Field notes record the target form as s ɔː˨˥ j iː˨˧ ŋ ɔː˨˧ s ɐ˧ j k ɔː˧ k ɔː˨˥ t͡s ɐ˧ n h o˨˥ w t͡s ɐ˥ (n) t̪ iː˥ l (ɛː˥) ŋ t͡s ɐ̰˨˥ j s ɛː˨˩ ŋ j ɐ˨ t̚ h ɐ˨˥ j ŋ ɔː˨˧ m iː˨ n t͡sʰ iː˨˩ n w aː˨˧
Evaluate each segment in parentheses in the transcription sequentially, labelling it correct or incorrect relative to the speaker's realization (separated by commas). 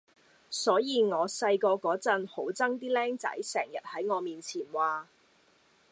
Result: incorrect, correct